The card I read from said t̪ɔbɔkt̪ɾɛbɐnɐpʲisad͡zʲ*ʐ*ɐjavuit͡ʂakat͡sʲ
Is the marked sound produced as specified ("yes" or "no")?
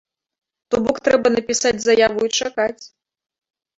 no